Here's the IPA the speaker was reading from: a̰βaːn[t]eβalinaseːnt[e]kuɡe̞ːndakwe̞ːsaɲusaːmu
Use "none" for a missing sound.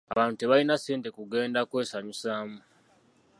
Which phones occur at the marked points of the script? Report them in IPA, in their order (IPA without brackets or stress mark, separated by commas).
t, e